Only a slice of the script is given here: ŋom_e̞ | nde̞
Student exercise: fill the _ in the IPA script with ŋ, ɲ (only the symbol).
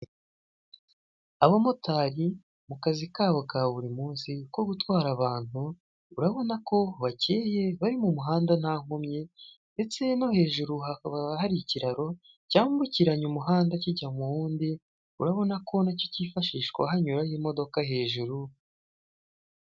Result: ɲ